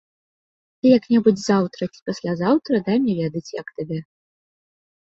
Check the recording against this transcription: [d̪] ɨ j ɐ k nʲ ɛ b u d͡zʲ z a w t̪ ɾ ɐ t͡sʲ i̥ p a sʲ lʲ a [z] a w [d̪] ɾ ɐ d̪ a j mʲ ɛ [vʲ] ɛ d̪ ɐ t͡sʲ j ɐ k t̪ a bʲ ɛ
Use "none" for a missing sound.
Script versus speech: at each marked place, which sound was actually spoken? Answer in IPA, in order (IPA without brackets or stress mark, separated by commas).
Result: t̪, z, t̪, vʲ